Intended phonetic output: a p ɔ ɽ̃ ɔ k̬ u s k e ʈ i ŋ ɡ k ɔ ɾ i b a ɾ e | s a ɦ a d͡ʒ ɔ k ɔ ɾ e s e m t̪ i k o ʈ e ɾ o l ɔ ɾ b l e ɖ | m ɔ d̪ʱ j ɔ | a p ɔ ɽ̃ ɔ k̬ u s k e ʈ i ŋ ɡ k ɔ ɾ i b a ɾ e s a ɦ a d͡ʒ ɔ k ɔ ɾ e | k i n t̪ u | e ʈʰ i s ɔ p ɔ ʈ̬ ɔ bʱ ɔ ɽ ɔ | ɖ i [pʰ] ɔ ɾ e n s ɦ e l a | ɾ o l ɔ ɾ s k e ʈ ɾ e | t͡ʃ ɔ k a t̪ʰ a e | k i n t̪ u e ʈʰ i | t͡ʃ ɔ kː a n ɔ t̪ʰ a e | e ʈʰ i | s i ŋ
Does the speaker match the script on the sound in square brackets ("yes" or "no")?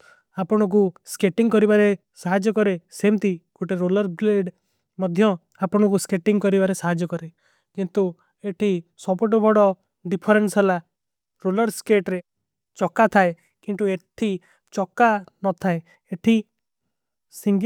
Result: yes